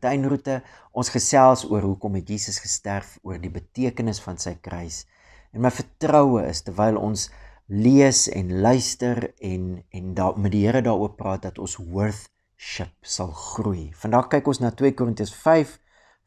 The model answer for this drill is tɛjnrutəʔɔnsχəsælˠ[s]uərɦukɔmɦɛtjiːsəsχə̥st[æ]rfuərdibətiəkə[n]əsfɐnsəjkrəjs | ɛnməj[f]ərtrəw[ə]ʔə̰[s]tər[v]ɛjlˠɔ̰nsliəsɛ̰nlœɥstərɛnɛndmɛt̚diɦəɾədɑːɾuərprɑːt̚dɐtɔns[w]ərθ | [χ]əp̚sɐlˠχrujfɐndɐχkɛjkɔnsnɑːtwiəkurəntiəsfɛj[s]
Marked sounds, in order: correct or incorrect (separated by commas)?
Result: correct, correct, correct, correct, correct, correct, correct, correct, incorrect, incorrect